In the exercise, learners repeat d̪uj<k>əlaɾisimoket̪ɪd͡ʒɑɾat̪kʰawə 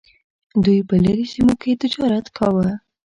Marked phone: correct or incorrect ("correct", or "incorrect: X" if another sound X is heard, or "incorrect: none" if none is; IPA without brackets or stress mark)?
incorrect: p